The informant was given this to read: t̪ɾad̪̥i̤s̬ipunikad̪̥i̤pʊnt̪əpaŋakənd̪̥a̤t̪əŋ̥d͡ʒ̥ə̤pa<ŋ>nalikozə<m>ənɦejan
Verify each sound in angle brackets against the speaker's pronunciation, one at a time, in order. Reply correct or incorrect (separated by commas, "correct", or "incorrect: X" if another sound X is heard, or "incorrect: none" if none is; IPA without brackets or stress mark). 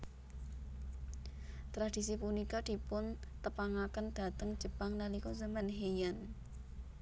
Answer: correct, correct